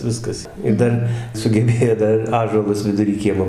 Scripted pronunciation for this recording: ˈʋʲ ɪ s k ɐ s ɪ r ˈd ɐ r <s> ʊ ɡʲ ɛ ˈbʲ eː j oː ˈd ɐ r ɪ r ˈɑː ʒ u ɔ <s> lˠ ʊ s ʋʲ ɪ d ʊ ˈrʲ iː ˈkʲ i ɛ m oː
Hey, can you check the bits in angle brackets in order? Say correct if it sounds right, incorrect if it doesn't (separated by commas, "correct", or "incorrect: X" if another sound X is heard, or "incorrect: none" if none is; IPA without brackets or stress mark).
correct, incorrect: none